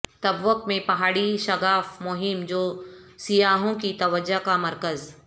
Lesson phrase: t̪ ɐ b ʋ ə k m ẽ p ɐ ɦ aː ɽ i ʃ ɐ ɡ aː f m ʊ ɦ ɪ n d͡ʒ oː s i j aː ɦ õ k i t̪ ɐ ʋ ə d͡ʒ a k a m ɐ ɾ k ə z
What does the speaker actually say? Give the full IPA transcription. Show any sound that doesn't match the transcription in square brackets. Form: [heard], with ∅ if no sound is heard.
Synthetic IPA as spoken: t̪ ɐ b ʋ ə k m ẽ p ɐ ɦ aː ɽ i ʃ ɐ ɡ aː f m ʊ ɦ ɪ [m] d͡ʒ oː s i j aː ɦ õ k i t̪ ɐ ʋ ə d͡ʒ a k a m ɐ ɾ k ə z